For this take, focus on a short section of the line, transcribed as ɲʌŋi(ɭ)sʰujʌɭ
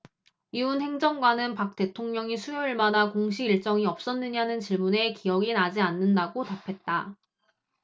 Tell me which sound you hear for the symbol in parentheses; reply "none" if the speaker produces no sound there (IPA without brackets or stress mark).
none